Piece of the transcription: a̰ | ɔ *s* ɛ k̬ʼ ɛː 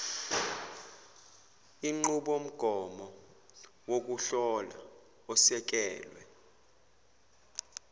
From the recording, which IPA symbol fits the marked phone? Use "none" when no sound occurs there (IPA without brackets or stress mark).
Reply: s